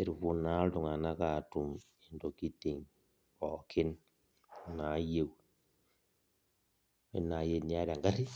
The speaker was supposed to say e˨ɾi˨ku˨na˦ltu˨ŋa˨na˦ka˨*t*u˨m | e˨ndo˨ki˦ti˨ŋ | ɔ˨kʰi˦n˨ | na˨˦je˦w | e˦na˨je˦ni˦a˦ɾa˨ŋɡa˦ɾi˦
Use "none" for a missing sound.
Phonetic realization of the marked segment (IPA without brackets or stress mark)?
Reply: t